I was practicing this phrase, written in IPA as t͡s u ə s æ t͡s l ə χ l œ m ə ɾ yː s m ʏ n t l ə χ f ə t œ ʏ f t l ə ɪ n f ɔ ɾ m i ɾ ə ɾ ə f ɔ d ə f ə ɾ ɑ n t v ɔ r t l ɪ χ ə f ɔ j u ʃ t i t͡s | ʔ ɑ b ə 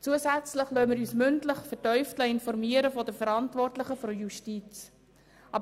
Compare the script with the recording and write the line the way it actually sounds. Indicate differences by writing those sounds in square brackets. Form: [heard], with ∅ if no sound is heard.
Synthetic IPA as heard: t͡s u ə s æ t͡s l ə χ l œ m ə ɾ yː s m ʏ n t l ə χ f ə t œ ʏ f t l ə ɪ n f ɔ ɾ m i [∅] ə ɾ ə f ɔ d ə f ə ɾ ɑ n t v ɔ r t l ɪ χ ə f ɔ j u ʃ t i t͡s | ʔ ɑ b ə